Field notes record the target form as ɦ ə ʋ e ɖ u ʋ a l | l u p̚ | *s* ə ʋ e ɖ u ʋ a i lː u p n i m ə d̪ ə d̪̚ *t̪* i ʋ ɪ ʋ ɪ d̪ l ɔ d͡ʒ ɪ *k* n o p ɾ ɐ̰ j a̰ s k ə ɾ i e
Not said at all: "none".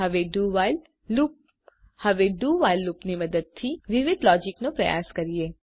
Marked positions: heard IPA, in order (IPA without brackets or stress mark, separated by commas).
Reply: h, t̪ʰ, k